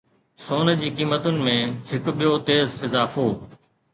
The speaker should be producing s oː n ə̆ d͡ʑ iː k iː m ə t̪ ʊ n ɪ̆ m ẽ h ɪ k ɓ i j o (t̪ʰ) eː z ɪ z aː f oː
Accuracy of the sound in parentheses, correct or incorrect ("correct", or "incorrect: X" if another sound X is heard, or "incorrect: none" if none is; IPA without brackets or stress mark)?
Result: incorrect: t̪